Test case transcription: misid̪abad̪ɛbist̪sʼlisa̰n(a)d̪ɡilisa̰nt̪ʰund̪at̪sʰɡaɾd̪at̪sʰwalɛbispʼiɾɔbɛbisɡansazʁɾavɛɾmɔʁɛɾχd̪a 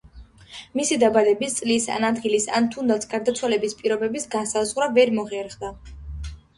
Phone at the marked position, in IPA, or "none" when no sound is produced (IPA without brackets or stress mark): a